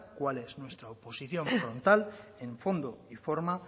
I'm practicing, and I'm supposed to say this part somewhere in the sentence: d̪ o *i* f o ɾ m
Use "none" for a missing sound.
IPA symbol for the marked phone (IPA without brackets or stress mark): i